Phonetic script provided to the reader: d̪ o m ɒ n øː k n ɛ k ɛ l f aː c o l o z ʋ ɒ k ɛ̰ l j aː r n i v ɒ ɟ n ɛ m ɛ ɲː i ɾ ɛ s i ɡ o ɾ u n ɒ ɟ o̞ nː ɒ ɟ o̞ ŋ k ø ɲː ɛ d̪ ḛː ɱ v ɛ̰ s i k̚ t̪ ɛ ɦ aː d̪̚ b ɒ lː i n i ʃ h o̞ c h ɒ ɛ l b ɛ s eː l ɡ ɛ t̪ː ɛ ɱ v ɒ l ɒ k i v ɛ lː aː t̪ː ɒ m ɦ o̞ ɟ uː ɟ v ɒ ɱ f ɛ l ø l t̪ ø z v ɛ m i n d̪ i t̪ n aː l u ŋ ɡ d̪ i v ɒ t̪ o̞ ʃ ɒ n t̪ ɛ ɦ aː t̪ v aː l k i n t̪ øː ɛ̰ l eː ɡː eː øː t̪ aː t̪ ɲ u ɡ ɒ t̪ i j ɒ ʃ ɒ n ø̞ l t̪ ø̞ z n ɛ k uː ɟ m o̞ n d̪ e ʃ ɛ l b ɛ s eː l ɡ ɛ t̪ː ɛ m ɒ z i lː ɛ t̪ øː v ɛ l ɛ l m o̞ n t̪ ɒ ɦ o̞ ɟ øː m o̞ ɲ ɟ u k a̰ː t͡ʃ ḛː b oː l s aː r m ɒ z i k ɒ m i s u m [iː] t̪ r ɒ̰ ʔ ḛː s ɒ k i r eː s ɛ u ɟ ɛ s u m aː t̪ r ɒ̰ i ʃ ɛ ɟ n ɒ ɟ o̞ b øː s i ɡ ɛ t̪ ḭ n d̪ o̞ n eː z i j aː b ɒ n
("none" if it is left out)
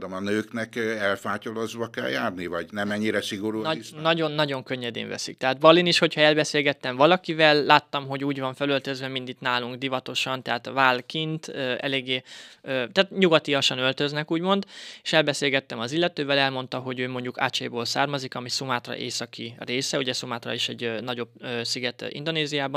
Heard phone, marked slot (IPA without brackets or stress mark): aː